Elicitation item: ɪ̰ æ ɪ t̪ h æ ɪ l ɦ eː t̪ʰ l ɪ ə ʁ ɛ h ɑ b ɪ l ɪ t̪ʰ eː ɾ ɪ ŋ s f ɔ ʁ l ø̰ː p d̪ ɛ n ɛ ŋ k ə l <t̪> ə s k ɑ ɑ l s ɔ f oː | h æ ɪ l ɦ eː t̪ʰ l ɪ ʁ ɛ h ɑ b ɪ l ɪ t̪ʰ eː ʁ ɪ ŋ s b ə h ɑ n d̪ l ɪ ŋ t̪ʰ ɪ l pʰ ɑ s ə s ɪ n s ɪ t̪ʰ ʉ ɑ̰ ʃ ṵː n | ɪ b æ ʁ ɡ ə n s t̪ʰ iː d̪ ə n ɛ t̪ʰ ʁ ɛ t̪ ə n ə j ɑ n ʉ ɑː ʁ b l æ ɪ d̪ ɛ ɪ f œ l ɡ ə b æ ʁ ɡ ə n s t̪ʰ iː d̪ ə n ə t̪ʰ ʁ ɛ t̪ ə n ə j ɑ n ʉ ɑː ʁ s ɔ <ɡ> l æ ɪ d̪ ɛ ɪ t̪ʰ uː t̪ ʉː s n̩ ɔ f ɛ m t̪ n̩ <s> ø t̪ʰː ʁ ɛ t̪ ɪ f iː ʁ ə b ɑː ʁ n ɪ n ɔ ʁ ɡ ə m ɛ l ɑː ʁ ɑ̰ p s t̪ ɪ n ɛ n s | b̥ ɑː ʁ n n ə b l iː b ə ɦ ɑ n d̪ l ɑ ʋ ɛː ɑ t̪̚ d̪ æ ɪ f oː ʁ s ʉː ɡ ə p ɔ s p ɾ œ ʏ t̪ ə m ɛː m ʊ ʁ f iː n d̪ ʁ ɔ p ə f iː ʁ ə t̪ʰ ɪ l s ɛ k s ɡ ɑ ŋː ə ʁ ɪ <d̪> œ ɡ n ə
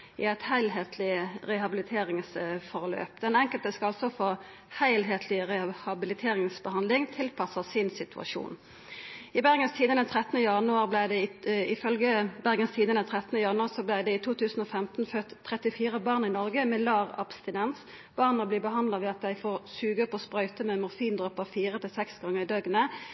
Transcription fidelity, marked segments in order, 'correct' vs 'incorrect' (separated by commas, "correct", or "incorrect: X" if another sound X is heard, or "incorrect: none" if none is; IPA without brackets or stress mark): correct, incorrect: b, incorrect: f, correct